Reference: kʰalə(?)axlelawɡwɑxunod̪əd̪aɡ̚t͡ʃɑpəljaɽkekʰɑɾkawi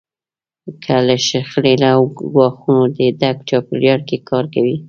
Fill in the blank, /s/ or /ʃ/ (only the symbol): ʃ